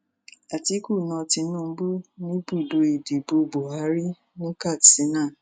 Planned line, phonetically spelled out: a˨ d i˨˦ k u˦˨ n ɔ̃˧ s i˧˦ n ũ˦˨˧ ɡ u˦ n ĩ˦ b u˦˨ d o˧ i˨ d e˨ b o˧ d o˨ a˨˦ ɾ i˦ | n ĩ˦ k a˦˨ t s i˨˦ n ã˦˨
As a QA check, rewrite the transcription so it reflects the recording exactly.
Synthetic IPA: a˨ t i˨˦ k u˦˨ n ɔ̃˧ t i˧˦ n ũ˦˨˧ b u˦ n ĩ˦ b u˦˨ d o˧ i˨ d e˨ b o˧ b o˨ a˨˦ ɾ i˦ | n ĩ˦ k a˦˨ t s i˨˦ n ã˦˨